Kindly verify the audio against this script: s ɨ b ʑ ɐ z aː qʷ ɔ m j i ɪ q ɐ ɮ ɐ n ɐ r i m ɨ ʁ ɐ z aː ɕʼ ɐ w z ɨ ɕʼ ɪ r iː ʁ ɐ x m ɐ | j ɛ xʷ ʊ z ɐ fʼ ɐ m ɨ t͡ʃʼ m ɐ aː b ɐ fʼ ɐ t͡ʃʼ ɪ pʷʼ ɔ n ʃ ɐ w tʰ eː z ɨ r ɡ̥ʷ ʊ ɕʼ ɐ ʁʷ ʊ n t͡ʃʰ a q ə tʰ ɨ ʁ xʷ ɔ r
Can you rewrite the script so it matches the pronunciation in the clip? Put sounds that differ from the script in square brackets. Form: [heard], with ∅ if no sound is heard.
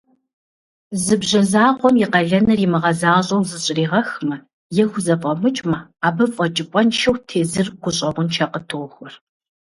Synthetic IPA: [z] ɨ b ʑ ɐ z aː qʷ ɔ m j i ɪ q ɐ ɮ ɐ n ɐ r i m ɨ ʁ ɐ z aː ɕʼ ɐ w z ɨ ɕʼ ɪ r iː ʁ ɐ x m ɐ | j ɛ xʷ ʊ z ɐ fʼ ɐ m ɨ t͡ʃʼ m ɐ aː b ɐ fʼ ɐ t͡ʃʼ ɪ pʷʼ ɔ n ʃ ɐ w tʰ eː z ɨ r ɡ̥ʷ ʊ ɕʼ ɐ ʁʷ ʊ n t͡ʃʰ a q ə tʰ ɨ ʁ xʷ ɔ r